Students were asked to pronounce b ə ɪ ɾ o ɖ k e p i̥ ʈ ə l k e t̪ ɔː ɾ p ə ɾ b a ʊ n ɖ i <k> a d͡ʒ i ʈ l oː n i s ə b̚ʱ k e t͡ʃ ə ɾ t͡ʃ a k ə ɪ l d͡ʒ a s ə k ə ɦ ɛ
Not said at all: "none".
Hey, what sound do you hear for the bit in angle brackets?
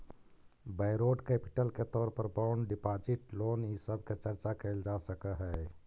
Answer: p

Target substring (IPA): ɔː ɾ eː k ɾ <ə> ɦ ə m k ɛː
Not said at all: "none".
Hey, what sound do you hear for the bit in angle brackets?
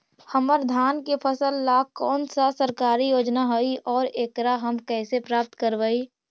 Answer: a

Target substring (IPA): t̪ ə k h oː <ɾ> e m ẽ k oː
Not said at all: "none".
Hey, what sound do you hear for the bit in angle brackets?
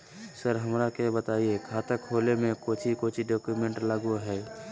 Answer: l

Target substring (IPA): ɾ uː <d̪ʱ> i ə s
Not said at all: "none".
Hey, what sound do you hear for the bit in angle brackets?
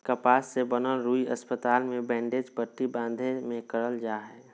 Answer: none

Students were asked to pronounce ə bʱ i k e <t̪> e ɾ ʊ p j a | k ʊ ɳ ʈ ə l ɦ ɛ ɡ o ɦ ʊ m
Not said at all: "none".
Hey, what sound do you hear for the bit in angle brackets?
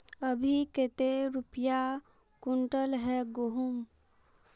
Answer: t̪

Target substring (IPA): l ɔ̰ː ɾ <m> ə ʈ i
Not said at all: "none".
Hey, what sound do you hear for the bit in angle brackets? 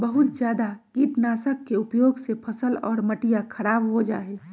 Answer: m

